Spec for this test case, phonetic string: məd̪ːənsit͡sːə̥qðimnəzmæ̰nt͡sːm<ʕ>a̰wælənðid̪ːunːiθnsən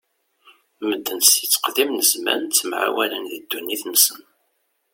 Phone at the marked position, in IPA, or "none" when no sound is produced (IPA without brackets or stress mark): ʕ